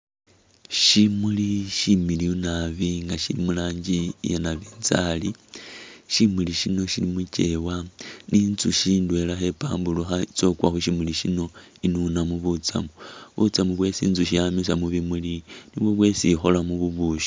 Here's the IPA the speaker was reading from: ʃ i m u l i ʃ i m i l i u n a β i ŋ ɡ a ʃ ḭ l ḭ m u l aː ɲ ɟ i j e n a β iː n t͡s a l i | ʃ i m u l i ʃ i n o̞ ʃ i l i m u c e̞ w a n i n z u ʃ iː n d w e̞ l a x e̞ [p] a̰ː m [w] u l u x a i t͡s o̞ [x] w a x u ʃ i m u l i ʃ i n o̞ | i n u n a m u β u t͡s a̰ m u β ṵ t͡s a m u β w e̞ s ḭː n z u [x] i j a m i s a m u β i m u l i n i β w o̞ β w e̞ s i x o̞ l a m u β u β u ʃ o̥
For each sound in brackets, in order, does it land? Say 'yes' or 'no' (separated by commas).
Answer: yes, no, no, no